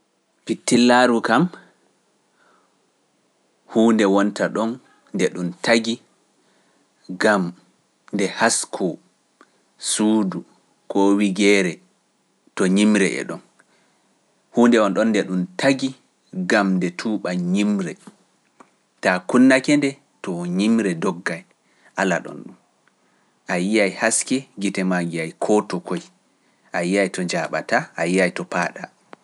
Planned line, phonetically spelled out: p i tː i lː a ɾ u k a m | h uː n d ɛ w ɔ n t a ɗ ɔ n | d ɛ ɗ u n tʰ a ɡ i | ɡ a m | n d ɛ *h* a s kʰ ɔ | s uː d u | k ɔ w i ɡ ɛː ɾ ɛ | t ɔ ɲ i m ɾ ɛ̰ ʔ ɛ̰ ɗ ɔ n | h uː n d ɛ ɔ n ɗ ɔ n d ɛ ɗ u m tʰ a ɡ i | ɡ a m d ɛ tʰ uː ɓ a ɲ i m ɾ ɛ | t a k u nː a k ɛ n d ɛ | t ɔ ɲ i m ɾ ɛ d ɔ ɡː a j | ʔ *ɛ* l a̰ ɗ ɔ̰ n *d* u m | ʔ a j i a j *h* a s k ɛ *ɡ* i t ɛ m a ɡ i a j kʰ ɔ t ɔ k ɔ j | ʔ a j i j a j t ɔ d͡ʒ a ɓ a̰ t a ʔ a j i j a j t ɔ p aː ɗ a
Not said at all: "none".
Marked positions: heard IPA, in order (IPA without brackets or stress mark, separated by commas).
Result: h, a, ɗ, h, ɡ